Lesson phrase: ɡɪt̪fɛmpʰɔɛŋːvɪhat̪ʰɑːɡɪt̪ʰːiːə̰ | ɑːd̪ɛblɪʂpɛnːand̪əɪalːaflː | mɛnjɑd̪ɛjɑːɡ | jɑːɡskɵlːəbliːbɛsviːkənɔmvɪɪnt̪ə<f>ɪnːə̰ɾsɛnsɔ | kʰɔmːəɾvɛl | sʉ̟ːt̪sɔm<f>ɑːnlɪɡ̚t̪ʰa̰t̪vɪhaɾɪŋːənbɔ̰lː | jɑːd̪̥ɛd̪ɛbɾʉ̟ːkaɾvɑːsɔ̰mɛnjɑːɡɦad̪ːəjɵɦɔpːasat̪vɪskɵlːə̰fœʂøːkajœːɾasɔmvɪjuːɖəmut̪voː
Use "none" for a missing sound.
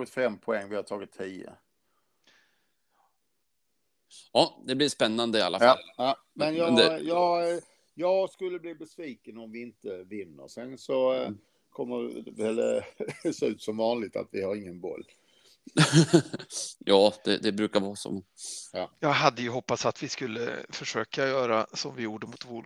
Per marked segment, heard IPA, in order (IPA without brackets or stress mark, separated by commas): v, v